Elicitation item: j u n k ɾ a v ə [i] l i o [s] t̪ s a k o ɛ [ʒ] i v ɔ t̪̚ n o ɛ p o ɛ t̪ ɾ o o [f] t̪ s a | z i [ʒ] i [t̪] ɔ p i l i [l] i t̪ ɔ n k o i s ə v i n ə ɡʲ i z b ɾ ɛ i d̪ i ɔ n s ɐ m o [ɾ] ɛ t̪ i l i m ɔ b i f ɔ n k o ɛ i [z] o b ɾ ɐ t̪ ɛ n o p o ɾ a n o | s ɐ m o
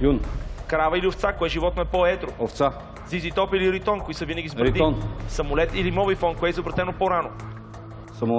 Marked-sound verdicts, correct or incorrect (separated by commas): correct, incorrect, correct, correct, incorrect, correct, incorrect, incorrect, correct